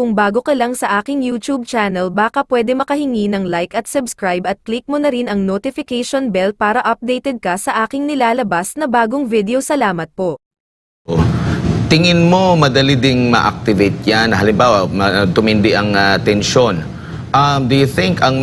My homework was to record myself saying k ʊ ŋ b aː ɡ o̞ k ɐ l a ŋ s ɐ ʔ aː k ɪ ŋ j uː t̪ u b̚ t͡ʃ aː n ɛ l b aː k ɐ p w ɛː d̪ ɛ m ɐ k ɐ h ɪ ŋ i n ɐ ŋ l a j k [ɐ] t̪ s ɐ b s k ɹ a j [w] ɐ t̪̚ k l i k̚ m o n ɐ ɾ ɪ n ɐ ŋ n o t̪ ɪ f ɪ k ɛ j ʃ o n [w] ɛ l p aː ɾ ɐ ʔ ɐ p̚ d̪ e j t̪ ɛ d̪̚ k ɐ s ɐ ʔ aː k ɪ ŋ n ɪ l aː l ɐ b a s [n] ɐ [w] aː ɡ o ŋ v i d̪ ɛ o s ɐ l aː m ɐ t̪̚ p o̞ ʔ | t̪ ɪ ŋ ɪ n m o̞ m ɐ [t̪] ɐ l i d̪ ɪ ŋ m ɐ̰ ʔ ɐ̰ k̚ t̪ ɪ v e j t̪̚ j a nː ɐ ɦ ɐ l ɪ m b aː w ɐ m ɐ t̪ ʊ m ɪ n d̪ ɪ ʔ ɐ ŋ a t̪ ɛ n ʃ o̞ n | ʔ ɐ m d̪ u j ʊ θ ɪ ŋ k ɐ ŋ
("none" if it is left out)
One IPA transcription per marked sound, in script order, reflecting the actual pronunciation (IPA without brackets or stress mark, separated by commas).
ɐ, b, b, n, b, d̪